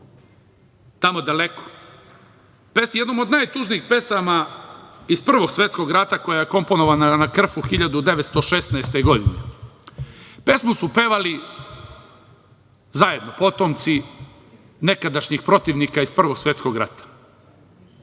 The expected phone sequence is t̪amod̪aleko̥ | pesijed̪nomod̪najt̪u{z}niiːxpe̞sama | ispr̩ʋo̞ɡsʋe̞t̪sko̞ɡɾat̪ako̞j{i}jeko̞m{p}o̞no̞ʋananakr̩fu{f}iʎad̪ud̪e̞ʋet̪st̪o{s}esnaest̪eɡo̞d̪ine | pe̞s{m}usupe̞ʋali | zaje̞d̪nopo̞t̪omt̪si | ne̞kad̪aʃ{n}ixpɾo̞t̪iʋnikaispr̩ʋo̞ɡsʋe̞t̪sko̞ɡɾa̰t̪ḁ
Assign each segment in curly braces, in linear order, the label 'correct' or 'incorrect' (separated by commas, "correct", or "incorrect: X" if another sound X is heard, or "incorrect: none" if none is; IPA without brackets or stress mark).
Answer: incorrect: ʒ, incorrect: a, correct, incorrect: x, incorrect: ʃ, correct, incorrect: ɲ